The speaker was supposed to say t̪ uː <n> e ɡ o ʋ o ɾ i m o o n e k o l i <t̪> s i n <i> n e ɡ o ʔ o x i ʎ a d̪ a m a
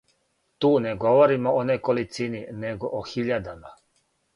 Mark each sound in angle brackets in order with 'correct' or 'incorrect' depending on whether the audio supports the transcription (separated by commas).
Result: correct, correct, correct